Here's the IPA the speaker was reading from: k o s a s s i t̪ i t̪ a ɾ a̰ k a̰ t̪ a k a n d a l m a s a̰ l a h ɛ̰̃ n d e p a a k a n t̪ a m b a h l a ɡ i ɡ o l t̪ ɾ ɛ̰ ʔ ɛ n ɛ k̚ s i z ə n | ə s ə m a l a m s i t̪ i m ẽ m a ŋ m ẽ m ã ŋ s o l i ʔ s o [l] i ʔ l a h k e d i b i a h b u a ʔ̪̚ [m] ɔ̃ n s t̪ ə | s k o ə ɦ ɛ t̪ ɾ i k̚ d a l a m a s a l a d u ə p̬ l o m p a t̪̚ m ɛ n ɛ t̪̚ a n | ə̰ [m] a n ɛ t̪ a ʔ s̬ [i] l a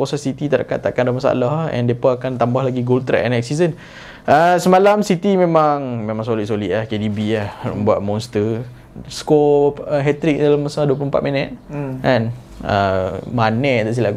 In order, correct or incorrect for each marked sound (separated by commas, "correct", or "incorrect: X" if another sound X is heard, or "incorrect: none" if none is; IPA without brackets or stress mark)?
correct, correct, correct, correct